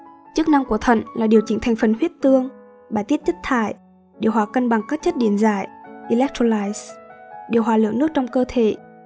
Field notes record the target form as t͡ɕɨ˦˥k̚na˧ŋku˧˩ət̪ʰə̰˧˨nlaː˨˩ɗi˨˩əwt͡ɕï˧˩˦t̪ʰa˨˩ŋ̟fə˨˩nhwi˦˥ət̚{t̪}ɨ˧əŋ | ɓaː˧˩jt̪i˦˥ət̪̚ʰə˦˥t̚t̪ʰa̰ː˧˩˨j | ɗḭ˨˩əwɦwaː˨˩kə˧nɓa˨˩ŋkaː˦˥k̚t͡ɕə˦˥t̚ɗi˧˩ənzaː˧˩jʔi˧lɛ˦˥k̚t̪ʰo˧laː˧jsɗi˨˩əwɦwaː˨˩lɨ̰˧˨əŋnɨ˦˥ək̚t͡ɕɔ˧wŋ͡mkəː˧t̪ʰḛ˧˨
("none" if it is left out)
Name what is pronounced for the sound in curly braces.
t̪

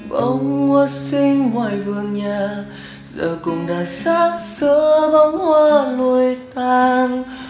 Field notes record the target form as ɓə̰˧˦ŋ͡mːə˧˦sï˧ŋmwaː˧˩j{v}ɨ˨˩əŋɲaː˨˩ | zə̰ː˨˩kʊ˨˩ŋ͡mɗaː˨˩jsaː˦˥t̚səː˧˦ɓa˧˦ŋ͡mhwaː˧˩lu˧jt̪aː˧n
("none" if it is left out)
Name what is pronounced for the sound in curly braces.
v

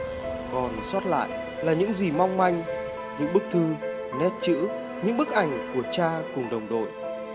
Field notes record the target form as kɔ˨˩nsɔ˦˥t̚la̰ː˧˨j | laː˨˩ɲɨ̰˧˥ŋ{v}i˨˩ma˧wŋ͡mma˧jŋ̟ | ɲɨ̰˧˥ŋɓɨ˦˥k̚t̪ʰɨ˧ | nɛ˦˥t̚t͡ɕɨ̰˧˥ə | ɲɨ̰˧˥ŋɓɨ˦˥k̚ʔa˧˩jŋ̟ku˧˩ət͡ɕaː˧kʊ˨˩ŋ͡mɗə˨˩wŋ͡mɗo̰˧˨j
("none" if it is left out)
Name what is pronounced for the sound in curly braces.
z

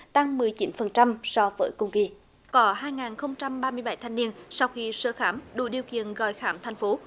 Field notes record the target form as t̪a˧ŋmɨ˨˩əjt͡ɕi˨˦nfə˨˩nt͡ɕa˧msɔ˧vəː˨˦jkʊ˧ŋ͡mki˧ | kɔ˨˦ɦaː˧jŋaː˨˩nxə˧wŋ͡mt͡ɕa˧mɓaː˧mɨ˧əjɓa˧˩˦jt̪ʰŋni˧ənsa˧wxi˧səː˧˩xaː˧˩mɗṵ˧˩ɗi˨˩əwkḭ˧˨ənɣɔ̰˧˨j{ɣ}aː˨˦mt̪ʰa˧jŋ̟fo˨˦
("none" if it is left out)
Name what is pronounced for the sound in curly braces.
x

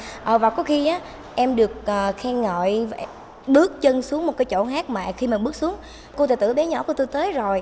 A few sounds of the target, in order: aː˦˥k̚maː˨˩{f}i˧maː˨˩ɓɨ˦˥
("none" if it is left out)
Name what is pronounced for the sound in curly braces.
x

